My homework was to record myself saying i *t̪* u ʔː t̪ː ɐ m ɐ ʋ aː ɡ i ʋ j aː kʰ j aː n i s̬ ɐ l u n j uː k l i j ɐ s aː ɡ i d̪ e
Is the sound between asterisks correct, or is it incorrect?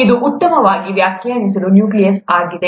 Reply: incorrect